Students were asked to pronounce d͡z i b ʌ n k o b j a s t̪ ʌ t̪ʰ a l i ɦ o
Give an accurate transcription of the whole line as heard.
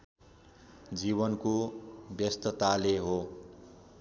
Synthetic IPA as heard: d͡z i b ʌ n k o b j ʌ s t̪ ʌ t̪ a l e ɦ o